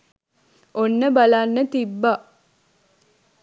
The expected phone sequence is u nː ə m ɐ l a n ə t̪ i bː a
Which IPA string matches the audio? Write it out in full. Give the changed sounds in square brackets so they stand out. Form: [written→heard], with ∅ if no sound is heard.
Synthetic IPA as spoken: [u→o] nː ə [m→b] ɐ l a [n→nː] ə t̪ i bː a